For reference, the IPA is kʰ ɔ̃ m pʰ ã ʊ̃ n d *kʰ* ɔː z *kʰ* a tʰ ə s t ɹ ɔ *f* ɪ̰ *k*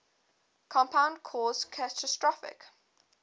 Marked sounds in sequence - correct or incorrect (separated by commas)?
correct, correct, correct, correct